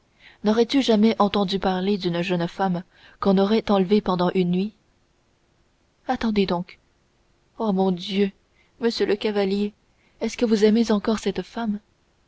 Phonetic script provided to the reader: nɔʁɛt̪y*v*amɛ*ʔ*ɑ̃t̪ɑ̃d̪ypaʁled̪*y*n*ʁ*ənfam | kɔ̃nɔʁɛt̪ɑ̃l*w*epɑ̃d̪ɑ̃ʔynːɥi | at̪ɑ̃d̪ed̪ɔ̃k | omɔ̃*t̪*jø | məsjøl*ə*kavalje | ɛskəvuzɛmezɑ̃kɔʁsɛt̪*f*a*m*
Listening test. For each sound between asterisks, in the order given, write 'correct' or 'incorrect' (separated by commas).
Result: incorrect, correct, correct, incorrect, incorrect, incorrect, correct, correct, correct